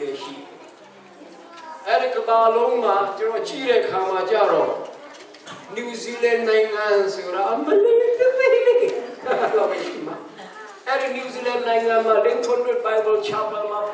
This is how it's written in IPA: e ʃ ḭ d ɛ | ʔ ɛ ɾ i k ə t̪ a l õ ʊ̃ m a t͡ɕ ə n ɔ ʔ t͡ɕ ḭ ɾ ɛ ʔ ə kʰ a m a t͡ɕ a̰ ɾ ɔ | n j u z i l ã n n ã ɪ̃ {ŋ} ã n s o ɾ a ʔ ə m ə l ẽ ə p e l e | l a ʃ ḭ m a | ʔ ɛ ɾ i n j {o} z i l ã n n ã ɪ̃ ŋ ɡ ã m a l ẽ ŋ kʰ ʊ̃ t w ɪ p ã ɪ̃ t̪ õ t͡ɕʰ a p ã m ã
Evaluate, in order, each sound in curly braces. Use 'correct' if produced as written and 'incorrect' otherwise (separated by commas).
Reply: correct, incorrect